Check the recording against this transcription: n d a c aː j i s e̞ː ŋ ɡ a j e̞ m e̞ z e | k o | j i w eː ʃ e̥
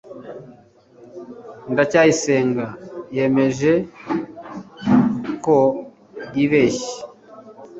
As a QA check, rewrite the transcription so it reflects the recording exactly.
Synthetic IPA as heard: n d a c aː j i s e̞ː ŋ ɡ a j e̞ m e̞ ʒ e | k o | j i β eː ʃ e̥